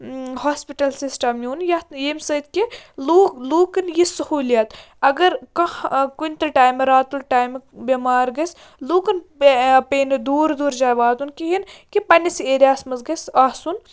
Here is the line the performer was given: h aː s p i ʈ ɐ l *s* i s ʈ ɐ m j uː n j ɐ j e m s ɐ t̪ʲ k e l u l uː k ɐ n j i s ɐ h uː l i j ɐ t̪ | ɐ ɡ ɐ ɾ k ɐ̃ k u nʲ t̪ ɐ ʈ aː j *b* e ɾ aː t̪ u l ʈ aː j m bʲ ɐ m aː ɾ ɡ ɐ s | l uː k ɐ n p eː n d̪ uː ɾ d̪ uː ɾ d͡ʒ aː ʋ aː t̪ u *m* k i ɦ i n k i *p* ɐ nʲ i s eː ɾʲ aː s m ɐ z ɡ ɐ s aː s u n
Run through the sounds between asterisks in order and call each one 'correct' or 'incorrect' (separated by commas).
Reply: correct, incorrect, incorrect, correct